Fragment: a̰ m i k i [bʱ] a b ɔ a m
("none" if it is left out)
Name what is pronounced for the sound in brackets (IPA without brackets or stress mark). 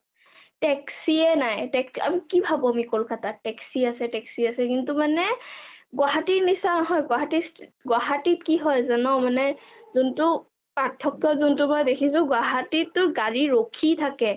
bʱ